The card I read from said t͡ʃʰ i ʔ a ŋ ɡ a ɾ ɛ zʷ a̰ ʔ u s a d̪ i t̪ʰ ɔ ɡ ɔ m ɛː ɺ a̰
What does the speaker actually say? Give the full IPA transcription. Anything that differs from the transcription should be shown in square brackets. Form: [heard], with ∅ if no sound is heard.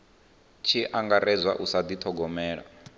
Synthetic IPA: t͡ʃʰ i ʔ a ŋ ɡ a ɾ ɛ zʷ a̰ ʔ u s a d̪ i t̪ʰ ɔ ɡ ɔ m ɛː ɺ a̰